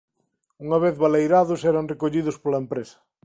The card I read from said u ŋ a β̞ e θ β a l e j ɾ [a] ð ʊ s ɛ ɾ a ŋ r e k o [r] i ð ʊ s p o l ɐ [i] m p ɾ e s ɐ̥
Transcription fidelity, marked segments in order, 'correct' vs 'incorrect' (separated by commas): correct, incorrect, incorrect